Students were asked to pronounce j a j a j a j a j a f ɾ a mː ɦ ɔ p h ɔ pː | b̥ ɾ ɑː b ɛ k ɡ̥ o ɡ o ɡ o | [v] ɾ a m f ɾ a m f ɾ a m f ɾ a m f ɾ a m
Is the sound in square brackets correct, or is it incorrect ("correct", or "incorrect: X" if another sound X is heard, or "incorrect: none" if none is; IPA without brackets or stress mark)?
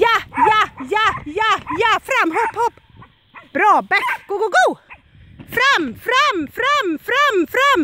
incorrect: f